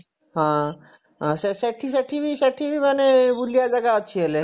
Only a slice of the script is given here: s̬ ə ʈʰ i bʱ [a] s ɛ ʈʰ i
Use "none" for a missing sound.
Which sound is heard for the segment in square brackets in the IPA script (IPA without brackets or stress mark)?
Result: i